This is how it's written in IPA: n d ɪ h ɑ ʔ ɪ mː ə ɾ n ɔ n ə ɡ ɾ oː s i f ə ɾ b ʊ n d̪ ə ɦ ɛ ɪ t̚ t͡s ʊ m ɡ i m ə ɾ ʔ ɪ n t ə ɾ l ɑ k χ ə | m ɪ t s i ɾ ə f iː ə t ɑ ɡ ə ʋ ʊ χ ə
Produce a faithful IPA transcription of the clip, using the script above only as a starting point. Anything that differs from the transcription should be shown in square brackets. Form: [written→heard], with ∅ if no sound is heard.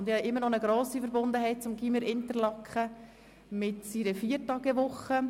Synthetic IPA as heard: n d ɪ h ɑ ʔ ɪ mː ə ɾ n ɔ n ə ɡ ɾ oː s i f ə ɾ b ʊ n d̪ ə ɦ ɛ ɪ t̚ t͡s ʊ m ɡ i m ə ɾ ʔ ɪ n t ə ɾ l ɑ k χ ə | m ɪ t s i ɾ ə f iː ə t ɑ ɡ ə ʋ ʊ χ ə